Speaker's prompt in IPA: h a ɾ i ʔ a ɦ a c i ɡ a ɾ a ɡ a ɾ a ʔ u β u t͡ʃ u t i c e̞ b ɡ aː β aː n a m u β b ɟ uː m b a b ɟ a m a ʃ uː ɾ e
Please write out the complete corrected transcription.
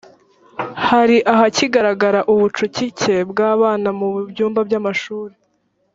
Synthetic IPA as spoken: h a ɾ i ʔ a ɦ a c i ɡ a ɾ a ɡ a ɾ a ʔ u β u t͡ʃ u c i c e̞ b ɡ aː β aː n a m u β b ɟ uː m b a b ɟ a m a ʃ uː ɾ e